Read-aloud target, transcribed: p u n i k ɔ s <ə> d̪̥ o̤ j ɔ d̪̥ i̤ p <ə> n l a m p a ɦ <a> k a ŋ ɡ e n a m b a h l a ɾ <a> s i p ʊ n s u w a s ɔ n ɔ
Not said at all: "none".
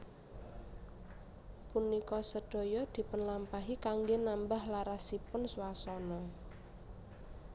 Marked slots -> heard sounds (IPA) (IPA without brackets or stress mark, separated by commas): ə, ə, i, a